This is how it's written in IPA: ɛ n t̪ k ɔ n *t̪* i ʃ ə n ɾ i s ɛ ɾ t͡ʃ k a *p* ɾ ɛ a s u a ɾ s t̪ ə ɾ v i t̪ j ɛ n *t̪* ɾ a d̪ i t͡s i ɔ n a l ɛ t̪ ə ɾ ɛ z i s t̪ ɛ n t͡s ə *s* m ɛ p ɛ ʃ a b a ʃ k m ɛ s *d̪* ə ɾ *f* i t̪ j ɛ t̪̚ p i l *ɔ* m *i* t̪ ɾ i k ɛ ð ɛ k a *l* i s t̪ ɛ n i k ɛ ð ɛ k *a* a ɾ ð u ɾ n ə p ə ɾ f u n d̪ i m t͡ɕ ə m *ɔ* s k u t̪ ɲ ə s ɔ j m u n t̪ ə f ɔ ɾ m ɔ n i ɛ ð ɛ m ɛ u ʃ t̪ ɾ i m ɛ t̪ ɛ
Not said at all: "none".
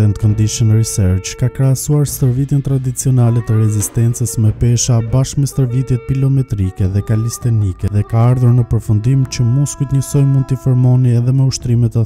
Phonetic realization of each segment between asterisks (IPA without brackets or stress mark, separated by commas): d̪, k, t̪, s, t̪, v, ɔ, ɛ, l, a, u